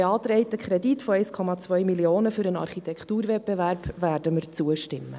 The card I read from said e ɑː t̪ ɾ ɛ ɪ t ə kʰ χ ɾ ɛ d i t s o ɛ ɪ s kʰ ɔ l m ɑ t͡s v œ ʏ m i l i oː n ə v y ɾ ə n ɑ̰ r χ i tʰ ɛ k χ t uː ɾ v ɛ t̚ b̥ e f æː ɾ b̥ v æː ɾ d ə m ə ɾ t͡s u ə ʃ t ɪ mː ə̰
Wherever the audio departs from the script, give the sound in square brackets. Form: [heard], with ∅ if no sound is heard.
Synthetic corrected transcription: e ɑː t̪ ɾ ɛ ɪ t ə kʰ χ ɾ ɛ d i t [f] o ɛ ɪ s kʰ ɔ [∅] m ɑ t͡s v œ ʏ m i l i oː n ə [f] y ɾ ə n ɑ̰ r χ i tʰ ɛ k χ t uː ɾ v ɛ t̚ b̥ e [v] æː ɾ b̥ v æː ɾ d ə m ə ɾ t͡s u ə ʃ t ɪ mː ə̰

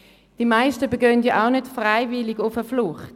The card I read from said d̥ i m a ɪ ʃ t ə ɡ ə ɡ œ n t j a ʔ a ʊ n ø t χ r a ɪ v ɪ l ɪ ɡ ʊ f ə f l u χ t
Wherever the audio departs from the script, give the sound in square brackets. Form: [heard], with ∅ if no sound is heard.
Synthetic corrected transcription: d̥ i m a ɪ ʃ t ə [b] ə ɡ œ n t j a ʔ a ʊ n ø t [f] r a ɪ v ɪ l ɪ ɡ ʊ f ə f l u χ t

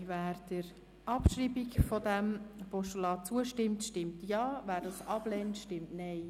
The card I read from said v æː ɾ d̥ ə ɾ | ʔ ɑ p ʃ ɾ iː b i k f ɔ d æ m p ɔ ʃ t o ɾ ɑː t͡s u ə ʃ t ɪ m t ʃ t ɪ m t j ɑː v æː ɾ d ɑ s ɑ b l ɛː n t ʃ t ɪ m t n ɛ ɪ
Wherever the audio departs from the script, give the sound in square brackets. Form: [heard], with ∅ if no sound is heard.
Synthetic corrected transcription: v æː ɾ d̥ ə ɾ | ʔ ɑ p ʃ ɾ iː b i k f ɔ d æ m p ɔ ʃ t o [l] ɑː t͡s u ə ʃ t ɪ m t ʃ t ɪ m t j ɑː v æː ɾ d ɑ s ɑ b l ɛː n t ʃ t ɪ m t n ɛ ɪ

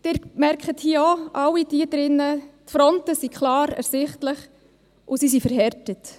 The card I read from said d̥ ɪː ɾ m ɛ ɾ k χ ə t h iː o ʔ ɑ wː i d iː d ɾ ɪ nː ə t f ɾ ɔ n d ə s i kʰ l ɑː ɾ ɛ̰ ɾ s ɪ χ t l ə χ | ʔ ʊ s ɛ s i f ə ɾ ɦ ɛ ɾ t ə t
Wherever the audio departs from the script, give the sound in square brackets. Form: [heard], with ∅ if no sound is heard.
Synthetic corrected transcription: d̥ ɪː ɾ m ɛ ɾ k χ ə t h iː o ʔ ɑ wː i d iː d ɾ ɪ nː ə t f ɾ ɔ n [t] ə s i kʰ l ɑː ɾ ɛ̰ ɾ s ɪ χ t l ə χ | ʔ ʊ s [i] s i f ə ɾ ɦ ɛ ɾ t ə t

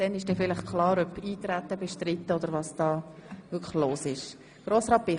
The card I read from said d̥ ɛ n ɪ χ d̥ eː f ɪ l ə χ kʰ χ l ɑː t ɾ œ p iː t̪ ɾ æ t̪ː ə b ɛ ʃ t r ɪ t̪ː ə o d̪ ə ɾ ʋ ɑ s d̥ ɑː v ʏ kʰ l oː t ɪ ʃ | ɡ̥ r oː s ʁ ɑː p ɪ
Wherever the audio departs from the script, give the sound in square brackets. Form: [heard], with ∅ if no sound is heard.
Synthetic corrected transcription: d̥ ɛ n ɪ [ʃ] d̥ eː f ɪ l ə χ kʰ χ l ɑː [∅] ɾ œ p iː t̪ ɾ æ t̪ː ə b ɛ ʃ t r ɪ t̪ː ə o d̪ ə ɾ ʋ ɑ s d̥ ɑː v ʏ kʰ l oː [s] ɪ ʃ | ɡ̥ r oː s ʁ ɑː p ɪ

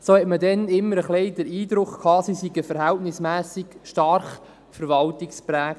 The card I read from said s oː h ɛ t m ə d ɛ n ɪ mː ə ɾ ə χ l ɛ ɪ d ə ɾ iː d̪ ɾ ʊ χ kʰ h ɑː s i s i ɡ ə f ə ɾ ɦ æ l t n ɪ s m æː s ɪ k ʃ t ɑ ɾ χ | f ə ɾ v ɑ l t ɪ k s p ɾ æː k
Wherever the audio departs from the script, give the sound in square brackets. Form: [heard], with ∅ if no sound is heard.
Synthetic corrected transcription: s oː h ɛ t m ə d ɛ n ɪ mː ə ɾ ə χ l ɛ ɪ d ə ɾ iː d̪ ɾ ʊ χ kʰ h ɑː s i s i ɡ ə f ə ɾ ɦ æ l t n ɪ s m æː s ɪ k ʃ t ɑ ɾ χ | f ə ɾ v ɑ l t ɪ k s p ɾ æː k

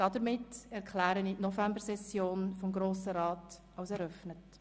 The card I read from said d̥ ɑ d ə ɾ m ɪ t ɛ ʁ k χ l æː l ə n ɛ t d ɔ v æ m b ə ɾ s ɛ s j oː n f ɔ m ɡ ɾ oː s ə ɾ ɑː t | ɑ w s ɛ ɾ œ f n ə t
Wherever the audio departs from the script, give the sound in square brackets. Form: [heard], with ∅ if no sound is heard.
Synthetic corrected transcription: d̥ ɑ d ə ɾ m ɪ t ɛ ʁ k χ l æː [ɾ] ə n [i] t [n] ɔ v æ m b ə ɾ s ɛ s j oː n f ɔ m ɡ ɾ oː s ə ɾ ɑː t | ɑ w s ɛ ɾ œ f n ə t

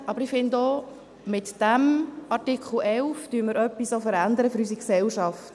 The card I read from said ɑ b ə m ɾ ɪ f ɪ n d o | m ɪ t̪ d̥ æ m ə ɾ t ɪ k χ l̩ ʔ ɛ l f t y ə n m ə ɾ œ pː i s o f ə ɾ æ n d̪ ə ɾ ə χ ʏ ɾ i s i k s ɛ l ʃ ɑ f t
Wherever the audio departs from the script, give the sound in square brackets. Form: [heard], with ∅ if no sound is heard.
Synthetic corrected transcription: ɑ b ə [∅] ɾ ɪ f ɪ n d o | m ɪ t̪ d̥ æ m [ɑ] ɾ t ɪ k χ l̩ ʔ ɛ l f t y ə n m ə ɾ œ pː i s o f ə ɾ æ n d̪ ə ɾ ə [f] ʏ ɾ [y] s i k s ɛ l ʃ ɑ f t

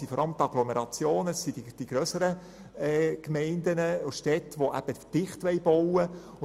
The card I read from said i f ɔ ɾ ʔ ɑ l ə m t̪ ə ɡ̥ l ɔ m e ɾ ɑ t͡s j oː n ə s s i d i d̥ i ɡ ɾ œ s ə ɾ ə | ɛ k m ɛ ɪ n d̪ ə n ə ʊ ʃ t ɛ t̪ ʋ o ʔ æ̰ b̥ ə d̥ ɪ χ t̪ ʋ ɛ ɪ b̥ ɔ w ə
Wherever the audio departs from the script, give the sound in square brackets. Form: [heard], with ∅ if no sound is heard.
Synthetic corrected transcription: i f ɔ ɾ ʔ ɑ l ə m t̪ [ɑ] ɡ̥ l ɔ m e ɾ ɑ t͡s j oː n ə s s i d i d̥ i ɡ ɾ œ s ə ɾ ə | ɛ k m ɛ ɪ n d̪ ə n ə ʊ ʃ t ɛ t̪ ʋ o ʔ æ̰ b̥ ə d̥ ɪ χ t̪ ʋ ɛ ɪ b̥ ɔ w ə

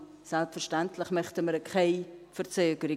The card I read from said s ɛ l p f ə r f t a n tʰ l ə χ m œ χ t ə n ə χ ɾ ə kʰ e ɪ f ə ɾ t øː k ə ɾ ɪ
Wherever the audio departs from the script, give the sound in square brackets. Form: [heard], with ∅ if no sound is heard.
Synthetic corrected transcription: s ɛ l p f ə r [ʃ] t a n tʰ l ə χ m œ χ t ə [m] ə [∅] ɾ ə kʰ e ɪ f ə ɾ [t͡s] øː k ə ɾ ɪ

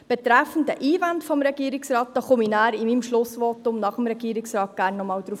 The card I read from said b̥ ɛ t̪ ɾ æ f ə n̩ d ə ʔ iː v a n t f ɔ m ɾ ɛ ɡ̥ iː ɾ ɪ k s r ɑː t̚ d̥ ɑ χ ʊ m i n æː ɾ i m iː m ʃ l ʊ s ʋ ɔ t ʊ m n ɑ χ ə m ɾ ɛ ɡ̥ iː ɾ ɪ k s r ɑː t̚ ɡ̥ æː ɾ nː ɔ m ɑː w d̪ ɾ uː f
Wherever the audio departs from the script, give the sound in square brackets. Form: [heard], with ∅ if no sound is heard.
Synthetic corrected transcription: b̥ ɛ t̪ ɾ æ f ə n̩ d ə ʔ iː v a n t f ɔ m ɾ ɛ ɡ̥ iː ɾ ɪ k s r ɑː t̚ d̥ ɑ χ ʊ m i n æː ɾ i m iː m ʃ l ʊ s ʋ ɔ t ʊ m n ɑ χ ə m ɾ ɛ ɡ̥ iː ɾ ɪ k s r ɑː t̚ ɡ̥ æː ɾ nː ɔ m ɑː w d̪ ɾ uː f

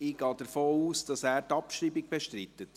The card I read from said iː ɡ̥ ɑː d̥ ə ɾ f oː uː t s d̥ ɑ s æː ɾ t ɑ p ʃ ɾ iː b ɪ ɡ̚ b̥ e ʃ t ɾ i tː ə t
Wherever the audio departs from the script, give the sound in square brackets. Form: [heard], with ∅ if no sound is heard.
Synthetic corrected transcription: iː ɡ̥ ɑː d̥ ə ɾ f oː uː [∅] s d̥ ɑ s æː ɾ t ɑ p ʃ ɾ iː b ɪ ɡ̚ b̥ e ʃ t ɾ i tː ə t

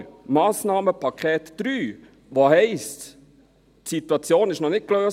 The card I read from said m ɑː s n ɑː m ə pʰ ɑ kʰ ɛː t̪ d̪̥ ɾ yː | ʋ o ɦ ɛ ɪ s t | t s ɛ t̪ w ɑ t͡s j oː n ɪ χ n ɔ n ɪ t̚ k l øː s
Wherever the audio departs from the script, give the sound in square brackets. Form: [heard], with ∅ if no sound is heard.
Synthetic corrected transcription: m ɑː s n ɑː m ə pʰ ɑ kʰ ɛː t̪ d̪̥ ɾ yː | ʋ o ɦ ɛ ɪ s t | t s [i] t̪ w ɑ t͡s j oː n ɪ [ʃ] n ɔ n ɪ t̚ k l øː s

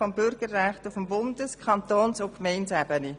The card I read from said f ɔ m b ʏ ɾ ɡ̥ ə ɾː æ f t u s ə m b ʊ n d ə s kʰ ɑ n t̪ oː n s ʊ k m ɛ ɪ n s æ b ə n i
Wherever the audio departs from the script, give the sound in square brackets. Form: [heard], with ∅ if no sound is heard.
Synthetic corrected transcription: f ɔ m b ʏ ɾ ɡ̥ ə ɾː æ [χ] t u [f] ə m b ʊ n d ə s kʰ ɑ n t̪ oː n s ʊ k m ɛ ɪ n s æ b ə n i

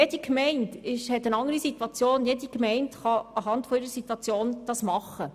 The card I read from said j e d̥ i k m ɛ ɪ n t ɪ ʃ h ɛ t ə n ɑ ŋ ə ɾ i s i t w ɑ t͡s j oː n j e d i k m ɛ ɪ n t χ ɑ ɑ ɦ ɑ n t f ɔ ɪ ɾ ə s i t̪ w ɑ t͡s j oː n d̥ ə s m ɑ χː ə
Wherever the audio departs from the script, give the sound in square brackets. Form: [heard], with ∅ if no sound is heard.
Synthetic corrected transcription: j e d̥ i k m ɛ ɪ n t ɪ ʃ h ɛ t ə n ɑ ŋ ə ɾ i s i t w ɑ t͡s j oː n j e d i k m ɛ ɪ n t χ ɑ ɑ ɦ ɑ n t f ɔ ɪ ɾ ə s i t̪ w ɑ t͡s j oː n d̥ [ɑ] s m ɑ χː ə

